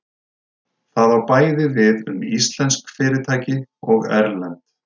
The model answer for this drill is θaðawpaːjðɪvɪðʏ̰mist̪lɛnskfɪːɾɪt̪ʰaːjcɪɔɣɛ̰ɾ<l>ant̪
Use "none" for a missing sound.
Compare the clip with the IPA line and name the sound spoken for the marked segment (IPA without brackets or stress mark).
l